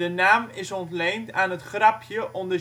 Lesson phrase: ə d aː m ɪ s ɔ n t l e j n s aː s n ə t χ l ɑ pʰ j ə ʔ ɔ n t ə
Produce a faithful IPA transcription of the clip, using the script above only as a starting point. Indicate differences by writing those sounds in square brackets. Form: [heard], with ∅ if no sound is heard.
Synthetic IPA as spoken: ə [n] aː m ɪ s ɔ n t l e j n [t] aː [∅] n ə t χ [r] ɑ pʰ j ə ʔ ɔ n [d] ə